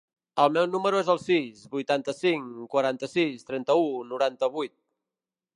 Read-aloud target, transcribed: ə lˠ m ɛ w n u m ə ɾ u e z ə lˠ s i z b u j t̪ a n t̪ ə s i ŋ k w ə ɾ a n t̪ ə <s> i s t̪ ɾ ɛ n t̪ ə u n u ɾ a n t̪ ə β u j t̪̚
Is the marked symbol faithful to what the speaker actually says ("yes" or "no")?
yes